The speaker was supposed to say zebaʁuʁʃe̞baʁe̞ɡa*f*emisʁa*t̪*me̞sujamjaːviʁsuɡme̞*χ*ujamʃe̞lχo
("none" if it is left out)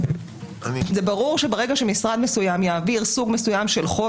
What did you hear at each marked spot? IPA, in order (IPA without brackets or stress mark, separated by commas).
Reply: ʃ, d̪, s